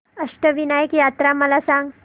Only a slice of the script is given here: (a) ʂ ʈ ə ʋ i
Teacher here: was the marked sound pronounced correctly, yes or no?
no